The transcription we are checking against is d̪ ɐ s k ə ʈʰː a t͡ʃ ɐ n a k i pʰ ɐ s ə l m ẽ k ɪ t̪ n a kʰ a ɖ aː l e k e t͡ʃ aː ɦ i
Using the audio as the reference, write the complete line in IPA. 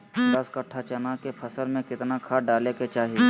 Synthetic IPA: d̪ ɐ s k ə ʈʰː a t͡ʃ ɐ n a k e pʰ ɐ s ə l m ẽ k ɪ t̪ n a kʰ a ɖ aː l e k e t͡ʃ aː ɦ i